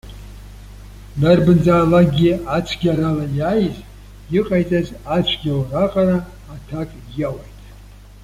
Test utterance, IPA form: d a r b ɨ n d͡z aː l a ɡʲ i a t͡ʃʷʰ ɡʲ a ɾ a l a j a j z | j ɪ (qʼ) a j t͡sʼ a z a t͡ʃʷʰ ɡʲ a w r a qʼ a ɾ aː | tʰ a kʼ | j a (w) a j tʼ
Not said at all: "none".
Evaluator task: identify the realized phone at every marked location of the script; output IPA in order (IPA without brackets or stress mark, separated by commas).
qʼ, w